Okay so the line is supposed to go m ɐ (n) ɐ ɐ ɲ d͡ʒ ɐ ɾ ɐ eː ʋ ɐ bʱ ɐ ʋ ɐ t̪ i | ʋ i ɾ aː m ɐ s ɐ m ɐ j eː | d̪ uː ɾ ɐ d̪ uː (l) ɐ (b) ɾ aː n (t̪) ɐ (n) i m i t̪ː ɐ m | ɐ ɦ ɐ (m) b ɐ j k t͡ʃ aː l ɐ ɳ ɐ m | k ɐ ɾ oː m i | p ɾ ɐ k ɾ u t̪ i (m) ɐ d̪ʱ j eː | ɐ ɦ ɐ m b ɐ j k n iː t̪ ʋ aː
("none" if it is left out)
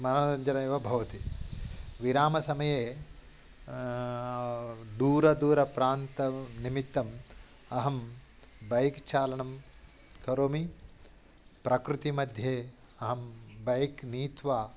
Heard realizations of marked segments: n, ɾ, p, t̪, n, m, m

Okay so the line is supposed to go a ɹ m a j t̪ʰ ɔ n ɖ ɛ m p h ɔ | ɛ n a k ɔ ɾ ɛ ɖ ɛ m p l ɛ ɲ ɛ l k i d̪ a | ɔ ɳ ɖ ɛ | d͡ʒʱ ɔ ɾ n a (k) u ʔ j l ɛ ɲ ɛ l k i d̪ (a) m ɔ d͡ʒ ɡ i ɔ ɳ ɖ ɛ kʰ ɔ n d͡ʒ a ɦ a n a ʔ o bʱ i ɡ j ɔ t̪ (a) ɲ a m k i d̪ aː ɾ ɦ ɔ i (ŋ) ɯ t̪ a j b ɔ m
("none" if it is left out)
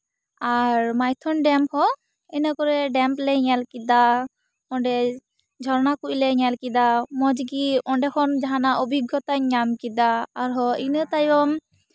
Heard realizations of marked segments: k, a, a, n

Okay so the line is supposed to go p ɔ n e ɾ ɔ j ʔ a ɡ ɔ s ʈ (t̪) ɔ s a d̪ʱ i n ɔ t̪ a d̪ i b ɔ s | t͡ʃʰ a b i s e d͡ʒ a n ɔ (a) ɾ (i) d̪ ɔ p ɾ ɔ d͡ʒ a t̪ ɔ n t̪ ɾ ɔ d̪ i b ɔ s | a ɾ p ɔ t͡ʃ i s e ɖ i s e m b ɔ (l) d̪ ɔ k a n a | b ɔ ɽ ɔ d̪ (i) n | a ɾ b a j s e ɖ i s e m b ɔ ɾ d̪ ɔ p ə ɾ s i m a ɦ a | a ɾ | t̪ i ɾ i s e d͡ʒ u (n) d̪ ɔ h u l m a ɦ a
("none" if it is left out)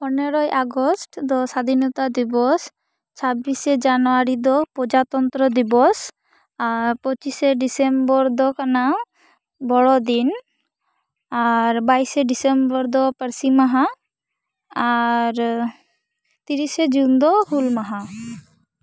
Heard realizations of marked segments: d̪, a, i, ɾ, i, n

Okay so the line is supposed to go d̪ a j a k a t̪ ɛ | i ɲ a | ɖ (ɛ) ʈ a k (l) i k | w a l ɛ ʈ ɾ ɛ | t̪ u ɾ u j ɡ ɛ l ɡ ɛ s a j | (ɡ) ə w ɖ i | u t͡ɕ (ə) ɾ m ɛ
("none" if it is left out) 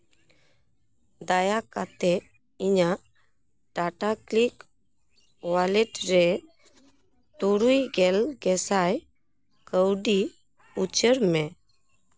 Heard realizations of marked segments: a, l, k, ə

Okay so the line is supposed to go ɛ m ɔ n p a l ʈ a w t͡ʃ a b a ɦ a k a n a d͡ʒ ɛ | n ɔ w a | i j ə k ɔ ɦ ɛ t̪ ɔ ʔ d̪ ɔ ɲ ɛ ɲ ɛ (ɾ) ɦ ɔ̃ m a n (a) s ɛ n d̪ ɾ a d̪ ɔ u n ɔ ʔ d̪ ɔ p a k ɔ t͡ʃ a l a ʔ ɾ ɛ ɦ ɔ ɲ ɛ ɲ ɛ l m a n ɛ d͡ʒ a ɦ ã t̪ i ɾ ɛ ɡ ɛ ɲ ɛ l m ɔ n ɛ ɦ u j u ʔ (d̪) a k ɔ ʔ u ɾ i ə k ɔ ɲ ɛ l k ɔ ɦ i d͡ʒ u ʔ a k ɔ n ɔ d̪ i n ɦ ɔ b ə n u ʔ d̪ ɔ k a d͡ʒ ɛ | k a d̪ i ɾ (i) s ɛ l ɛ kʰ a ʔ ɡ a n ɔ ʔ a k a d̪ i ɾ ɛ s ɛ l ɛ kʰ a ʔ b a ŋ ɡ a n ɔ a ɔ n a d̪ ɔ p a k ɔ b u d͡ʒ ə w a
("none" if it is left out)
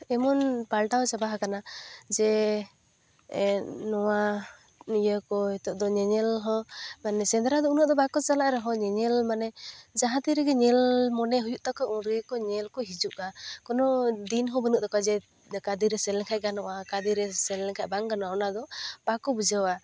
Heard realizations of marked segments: l, ɛ, t̪, ɛ

